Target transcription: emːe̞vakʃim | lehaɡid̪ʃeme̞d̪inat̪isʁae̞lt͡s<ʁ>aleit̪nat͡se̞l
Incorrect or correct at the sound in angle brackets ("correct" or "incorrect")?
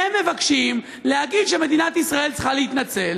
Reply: incorrect